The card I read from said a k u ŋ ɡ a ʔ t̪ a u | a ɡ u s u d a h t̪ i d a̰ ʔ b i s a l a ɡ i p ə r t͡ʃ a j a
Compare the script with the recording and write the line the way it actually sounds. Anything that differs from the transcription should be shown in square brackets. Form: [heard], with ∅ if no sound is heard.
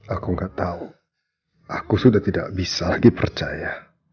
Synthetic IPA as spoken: a k u ŋ ɡ a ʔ t̪ a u | a [k] u s u d a h t̪ i d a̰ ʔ b i s a l a ɡ i p ə r t͡ʃ a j a